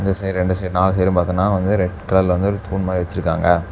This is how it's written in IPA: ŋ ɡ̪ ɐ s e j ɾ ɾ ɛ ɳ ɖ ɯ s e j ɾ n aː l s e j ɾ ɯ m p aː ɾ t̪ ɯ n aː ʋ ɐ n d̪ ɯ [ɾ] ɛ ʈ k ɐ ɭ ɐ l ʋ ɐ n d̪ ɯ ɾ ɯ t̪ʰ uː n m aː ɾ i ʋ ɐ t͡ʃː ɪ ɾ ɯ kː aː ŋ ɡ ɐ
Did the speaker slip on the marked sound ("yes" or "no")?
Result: no